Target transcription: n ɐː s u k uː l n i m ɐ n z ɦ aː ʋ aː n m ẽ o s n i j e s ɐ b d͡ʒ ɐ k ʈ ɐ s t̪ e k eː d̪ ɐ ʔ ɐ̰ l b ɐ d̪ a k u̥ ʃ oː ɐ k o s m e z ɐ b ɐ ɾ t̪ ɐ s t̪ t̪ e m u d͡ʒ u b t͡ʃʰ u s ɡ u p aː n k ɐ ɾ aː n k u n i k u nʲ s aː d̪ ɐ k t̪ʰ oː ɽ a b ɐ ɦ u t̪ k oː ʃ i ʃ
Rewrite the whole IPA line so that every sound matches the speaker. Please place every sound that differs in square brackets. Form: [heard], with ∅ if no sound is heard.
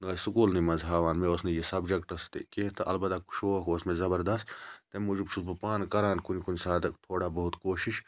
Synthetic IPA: n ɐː s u k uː l n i m ɐ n z ɦ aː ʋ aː n m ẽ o s n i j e s ɐ b d͡ʒ ɐ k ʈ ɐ s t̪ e k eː [t̪] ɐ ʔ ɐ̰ l b ɐ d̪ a k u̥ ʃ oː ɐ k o s m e z ɐ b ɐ ɾ [d̪] ɐ s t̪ t̪ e m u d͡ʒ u b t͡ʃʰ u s [b] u p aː n k ɐ ɾ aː n k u n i k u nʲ s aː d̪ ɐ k t̪ʰ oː ɽ a b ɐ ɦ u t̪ k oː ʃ i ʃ